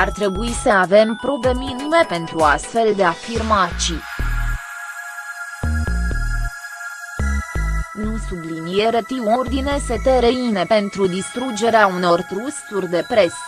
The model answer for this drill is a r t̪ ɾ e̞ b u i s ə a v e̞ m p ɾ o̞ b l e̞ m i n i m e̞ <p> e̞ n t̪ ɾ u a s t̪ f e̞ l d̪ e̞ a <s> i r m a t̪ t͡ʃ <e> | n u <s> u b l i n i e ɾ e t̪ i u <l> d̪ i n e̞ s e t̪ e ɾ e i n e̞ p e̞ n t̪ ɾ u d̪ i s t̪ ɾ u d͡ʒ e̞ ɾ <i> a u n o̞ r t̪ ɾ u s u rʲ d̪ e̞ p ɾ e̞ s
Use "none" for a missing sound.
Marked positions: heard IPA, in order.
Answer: p, f, i, s, r, e

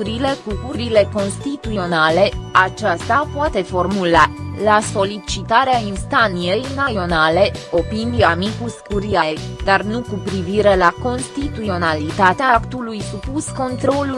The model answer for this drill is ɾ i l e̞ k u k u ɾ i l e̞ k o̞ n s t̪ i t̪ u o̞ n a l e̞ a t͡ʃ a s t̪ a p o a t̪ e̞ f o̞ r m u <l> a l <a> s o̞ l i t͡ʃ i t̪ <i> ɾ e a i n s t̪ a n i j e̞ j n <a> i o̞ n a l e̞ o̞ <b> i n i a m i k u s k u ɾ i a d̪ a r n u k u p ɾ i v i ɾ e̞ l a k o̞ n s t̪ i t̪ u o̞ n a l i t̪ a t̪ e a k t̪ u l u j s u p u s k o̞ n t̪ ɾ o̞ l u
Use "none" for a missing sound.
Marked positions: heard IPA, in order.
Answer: l, a, a, a, p

